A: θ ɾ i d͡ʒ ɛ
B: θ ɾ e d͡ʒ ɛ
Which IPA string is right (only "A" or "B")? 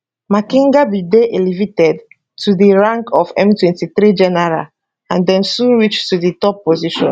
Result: A